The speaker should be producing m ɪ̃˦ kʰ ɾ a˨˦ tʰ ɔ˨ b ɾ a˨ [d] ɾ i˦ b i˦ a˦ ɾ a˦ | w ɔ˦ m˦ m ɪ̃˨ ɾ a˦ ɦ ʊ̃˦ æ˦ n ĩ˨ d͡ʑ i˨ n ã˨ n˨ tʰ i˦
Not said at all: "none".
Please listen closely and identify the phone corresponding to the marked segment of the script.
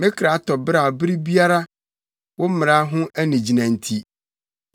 b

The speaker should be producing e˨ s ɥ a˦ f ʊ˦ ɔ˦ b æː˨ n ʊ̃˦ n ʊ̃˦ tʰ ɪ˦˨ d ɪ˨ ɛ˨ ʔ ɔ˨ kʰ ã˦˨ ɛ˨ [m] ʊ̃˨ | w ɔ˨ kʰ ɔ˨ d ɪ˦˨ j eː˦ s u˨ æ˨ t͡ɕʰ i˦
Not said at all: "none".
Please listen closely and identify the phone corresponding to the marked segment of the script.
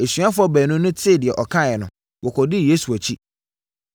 n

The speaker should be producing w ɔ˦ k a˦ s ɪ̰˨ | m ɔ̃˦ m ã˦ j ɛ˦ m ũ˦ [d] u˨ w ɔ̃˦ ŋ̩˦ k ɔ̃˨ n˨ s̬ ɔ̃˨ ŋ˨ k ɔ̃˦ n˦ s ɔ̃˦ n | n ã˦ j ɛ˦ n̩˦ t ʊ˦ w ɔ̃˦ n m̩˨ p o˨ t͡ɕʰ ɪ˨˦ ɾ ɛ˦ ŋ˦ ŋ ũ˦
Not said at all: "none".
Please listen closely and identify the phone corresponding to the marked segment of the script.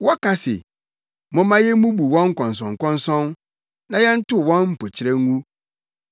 b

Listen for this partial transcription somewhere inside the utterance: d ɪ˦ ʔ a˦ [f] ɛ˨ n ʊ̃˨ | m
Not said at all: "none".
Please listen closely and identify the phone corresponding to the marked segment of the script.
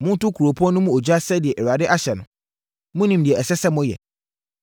ɕ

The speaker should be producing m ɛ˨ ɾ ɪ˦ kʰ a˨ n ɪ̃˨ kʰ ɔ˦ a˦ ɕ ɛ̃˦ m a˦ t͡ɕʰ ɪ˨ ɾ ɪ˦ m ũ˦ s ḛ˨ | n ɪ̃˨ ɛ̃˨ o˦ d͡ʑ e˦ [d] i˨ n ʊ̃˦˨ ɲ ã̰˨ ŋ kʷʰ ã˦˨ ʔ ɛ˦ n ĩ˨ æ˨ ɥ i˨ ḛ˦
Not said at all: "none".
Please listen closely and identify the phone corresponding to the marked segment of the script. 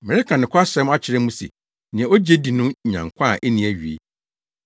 d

